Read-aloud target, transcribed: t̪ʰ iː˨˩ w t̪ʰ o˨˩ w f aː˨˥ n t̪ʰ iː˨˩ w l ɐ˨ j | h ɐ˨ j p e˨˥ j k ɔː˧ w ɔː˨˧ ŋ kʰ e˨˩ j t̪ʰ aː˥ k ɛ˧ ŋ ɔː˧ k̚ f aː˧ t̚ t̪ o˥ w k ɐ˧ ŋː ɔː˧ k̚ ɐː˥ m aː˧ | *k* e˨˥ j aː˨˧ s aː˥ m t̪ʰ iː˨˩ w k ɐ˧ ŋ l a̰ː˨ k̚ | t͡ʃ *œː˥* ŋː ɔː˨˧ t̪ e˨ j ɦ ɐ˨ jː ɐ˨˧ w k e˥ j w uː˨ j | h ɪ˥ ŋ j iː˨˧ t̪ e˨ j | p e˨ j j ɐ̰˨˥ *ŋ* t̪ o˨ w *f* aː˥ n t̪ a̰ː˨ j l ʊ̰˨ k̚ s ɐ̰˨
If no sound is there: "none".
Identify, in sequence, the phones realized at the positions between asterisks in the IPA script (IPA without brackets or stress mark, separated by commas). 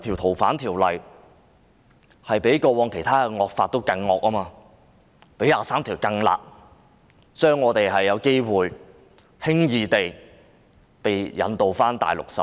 p, œː˥, n, f